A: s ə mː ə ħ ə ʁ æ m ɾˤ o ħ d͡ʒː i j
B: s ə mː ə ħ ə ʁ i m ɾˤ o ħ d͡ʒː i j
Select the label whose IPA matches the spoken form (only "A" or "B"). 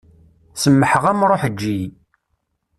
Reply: A